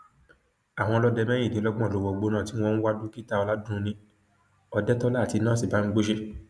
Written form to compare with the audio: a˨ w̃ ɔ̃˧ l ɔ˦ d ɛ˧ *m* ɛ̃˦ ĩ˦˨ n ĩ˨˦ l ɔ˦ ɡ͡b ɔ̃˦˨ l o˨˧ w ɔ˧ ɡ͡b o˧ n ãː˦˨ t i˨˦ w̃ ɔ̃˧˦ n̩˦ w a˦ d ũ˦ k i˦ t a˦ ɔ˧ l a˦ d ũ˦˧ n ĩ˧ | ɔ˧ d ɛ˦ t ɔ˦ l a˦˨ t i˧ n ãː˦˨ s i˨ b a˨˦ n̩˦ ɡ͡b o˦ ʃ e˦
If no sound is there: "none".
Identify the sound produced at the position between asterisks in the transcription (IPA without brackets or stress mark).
m